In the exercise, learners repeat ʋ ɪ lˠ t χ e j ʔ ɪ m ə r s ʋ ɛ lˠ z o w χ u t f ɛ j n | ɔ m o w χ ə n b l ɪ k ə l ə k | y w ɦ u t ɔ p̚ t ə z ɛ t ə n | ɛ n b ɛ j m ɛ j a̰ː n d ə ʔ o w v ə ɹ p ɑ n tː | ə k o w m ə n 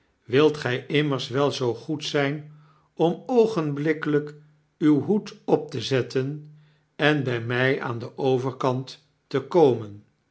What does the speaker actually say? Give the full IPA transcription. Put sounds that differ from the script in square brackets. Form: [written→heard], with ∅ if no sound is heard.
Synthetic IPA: ʋ ɪ lˠ t χ [e→ɛ] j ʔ ɪ m ə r s ʋ ɛ lˠ z o w χ u t [f→s] ɛ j n | ɔ m o w χ ə n b l ɪ k ə l ə k | y w ɦ u t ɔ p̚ t ə z ɛ t ə n | ɛ n b ɛ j m ɛ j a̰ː n d ə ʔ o w v ə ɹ [p→k] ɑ n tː | ə k o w m ə n

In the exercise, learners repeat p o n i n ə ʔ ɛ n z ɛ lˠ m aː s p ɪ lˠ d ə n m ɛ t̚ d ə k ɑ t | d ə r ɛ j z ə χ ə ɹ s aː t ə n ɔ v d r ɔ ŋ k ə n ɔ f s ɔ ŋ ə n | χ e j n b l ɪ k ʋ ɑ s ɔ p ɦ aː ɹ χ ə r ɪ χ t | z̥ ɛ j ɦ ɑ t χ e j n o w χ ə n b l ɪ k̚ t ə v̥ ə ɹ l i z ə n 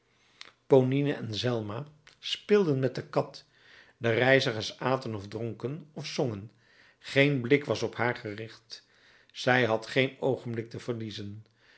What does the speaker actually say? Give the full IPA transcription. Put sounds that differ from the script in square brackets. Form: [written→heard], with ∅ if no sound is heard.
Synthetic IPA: p o n i n ə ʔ ɛ n z ɛ lˠ m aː s p ɪ lˠ d ə n m ɛ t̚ d ə k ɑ t | d ə r ɛ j z ə χ ə ɹ s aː t ə n ɔ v d r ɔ ŋ k ə n ɔ f s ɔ ŋ ə n | χ e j n b l ɪ k ʋ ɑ s ɔ p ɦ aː ɹ χ ə r ɪ χ t | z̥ ɛ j ɦ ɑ t χ e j n o w χ ə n b l ɪ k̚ t ə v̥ ə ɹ l i z ə n

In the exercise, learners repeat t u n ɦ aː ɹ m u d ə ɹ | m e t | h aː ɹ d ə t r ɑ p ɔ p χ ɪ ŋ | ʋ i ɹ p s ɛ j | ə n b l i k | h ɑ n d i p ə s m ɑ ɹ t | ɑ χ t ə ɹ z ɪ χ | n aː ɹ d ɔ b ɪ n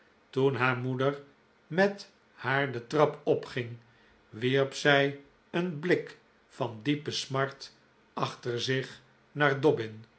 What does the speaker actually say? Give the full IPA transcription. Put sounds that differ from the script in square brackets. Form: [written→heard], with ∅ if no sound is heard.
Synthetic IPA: t u n ɦ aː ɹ m u d ə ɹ | m [e→ɛ] t | h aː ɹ d ə t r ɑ p ɔ p χ ɪ ŋ | ʋ i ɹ p s ɛ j | ə n b l [i→ɪ] k | [h→f] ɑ n d i p ə s m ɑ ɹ t | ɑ χ t ə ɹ z ɪ χ | n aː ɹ d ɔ b ɪ n

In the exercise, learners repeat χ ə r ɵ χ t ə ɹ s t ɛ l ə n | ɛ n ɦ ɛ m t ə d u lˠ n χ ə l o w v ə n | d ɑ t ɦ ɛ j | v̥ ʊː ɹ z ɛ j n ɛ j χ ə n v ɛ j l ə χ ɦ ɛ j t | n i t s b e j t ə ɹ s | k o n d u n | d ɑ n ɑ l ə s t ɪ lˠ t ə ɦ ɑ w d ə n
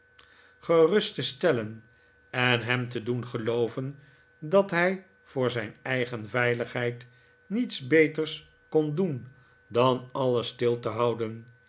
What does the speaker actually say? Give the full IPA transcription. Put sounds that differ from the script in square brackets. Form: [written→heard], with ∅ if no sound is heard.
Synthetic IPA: χ ə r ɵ [χ→s] t ə [ɹ→∅] s t ɛ l ə n | ɛ n ɦ ɛ m t ə d u [lˠ→∅] n χ ə l o w v ə n | d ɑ t ɦ ɛ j | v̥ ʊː ɹ z ɛ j n ɛ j χ ə n v ɛ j l ə χ ɦ ɛ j t | n i t s b e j t ə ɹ s | k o n d u n | d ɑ n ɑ l ə s t ɪ lˠ t ə ɦ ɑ w d ə n

